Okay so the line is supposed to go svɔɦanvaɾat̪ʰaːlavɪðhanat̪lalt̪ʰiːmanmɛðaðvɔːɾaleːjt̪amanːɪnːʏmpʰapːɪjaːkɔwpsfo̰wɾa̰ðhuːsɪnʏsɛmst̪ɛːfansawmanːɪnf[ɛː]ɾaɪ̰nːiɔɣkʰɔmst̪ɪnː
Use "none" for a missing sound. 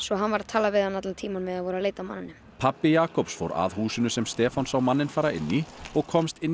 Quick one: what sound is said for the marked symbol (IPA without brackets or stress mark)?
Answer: aː